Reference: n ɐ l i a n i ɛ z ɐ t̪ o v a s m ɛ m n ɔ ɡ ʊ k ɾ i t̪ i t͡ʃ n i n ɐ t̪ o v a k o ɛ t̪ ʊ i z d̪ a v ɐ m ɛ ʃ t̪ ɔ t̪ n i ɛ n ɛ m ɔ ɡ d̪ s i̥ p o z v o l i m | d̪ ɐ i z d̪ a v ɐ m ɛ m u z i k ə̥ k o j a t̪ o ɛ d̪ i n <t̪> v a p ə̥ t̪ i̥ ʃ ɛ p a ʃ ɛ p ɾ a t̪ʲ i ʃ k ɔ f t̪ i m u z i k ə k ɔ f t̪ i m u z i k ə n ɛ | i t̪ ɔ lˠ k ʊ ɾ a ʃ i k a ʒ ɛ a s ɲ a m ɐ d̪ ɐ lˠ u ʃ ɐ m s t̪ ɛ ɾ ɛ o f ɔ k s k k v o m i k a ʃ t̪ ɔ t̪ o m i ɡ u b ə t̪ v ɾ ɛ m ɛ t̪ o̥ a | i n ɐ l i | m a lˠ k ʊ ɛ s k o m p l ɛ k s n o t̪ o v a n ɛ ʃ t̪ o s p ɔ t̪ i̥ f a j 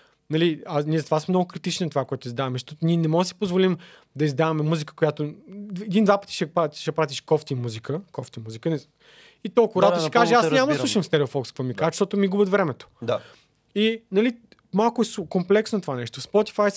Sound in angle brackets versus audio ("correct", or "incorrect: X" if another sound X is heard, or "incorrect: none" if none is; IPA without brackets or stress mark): incorrect: d̪